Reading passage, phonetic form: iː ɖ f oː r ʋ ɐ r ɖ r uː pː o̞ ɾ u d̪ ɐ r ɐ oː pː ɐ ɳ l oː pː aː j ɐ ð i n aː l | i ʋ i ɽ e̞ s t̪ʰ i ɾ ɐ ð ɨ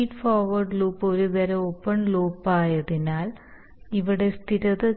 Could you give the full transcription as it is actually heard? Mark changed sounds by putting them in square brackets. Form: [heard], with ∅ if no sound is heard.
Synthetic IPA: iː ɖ f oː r ʋ ɐ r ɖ [l] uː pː o̞ ɾ u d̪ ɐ [ɾ] ɐ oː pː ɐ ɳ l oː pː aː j ɐ ð i n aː l | i ʋ i ɽ e̞ s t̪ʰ i ɾ ɐ ð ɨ